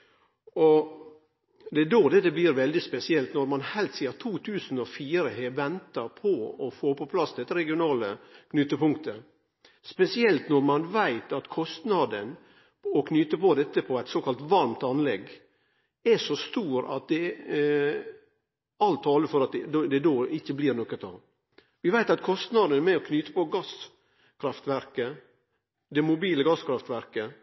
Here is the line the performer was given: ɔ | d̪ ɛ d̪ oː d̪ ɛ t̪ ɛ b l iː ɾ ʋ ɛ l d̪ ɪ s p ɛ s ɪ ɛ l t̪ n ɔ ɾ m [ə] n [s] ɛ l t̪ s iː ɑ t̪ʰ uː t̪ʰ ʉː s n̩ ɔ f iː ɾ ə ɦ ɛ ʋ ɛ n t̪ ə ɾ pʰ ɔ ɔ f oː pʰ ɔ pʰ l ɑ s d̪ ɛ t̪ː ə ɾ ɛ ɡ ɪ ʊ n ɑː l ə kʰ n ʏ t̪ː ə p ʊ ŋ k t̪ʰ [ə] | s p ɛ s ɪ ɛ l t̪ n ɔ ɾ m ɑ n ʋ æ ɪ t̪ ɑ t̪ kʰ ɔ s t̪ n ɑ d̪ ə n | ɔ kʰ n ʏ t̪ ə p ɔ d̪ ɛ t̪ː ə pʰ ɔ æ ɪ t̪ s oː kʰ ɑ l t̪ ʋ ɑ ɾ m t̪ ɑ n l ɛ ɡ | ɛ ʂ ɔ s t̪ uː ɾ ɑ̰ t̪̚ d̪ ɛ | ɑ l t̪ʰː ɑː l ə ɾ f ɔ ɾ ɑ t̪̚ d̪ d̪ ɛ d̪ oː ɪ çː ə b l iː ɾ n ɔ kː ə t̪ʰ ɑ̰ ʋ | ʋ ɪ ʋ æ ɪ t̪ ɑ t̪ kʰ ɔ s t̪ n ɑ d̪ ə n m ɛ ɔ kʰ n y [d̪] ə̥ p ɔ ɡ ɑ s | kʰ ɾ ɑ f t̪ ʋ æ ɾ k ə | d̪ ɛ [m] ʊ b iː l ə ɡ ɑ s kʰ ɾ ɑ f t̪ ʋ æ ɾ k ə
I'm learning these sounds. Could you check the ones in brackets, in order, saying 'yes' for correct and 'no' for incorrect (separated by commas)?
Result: no, no, yes, no, yes